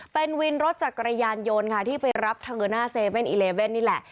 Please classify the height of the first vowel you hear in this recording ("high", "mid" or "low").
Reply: mid